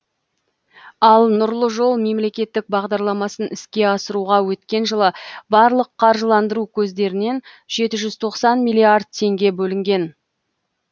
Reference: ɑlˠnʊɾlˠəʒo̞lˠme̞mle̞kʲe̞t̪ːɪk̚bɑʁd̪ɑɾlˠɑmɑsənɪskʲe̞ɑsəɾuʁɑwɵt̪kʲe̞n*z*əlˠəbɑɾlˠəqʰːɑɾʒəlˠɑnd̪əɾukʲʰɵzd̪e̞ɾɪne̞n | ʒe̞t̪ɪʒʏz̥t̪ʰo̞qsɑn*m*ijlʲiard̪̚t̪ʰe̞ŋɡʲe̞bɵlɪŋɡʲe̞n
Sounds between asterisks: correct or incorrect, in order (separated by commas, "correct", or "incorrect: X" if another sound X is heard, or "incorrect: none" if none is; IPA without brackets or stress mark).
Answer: incorrect: ʒ, correct